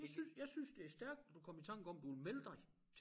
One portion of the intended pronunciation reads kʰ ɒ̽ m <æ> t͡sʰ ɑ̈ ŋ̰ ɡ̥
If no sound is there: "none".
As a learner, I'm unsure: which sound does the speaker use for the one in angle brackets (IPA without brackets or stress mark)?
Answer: i